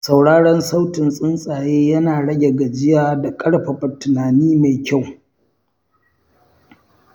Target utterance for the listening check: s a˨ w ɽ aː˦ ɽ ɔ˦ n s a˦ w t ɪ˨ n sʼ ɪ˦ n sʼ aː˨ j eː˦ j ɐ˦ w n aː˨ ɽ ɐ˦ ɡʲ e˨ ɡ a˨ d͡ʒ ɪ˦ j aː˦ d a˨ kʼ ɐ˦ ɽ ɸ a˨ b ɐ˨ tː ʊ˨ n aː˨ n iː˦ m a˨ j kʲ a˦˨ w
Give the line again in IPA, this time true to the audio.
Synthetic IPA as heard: s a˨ w ɽ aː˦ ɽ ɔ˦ n s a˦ w t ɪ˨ n sʼ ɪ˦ n sʼ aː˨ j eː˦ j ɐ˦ n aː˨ ɽ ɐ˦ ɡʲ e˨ ɡ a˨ d͡ʒ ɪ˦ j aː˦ d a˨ kʼ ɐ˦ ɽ ɸ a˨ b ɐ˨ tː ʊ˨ n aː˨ n iː˦ m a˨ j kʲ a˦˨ w